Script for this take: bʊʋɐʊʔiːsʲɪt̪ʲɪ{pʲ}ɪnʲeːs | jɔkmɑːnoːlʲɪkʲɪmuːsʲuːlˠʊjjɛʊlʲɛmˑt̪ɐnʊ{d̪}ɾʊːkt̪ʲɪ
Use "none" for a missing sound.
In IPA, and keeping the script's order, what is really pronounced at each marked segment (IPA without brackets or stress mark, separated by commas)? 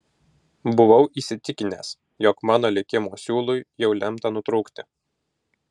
kʲ, t̪